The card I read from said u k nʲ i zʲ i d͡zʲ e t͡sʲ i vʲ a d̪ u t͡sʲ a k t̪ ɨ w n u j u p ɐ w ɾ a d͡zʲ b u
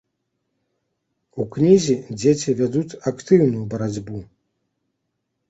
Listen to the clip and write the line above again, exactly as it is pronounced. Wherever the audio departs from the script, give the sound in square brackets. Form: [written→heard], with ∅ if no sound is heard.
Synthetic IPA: u k nʲ i zʲ i d͡zʲ e t͡sʲ i vʲ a d̪ u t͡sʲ a k t̪ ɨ w n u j u [p→b] ɐ [w→∅] ɾ a d͡zʲ b u